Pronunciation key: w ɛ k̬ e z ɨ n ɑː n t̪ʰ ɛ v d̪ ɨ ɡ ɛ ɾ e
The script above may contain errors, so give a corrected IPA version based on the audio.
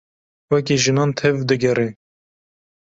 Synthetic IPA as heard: w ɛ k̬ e ʒ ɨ n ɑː n t̪ʰ ɛ v d̪ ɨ ɡ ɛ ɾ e